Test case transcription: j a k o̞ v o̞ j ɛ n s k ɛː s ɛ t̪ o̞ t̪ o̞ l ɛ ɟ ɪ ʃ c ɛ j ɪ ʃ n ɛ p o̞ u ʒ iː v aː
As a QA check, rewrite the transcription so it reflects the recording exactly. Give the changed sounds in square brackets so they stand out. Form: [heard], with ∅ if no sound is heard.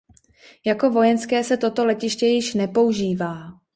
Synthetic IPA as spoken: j a k o̞ v o̞ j ɛ n s k ɛː s ɛ t̪ o̞ t̪ o̞ l ɛ [c] ɪ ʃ c ɛ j ɪ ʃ n ɛ p o̞ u ʒ iː v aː